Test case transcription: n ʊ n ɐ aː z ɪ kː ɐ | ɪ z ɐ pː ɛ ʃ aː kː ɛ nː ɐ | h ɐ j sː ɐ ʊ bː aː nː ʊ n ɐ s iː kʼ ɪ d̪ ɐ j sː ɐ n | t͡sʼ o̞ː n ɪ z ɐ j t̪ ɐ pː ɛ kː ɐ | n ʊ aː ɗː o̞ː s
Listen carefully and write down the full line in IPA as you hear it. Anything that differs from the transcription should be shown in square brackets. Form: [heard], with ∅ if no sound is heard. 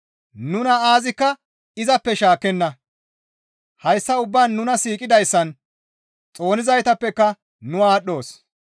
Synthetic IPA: n ʊ n ɐ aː z ɪ kː ɐ | ɪ z ɐ pː ɛ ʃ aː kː ɛ nː ɐ | h ɐ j sː ɐ ʊ bː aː nː ʊ n ɐ s iː kʼ ɪ d̪ ɐ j sː ɐ n | t͡sʼ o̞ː n ɪ z ɐ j t̪ ɐ pː ɛ kː ɐ | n ʊ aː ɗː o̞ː s